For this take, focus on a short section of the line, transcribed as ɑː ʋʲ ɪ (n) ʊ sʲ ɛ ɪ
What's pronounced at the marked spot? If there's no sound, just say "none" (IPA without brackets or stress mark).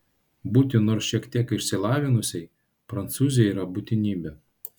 n